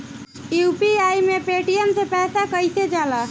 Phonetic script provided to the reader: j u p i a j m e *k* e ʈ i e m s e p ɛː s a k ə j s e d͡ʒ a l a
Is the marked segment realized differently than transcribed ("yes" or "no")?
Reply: yes